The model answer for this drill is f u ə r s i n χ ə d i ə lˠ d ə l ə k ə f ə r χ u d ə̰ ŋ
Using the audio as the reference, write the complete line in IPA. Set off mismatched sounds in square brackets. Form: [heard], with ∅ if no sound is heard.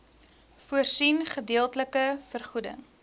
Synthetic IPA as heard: f u ə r s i n χ ə d i ə lˠ [t] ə l ə k ə f ə r χ u d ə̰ ŋ